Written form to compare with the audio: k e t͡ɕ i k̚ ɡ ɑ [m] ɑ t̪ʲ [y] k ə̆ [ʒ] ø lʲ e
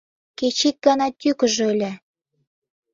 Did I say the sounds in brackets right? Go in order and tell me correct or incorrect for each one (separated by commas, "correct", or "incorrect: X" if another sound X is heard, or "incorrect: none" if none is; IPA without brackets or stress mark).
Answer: incorrect: n, correct, correct